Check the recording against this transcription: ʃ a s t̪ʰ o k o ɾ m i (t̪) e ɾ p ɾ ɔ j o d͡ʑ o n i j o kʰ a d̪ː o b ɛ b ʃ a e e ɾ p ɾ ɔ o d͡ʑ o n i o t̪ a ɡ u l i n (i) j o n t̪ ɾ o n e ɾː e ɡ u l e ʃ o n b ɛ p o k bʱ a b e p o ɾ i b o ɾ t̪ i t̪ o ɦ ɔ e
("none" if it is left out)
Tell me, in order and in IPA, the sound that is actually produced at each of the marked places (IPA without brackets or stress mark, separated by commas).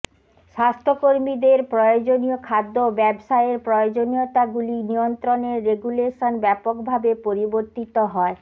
d̪, i